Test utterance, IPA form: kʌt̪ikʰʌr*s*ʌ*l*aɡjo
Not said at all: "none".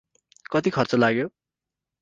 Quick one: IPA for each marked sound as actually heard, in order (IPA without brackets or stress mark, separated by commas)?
t͡s, l